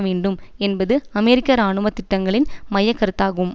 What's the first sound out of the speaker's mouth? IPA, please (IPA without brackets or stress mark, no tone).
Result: ʋ